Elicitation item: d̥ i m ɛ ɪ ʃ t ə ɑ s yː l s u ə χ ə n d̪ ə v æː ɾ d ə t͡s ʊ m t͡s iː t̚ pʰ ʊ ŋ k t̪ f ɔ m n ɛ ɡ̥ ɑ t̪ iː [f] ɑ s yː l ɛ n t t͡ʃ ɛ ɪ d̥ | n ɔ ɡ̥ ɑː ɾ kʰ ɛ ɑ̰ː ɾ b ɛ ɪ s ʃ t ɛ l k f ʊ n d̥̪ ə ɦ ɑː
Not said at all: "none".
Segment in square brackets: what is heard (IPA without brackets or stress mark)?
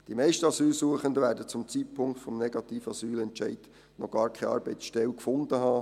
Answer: f